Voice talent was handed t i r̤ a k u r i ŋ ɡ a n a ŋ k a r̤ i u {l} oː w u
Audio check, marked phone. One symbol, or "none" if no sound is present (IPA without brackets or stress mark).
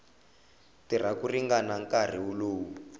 l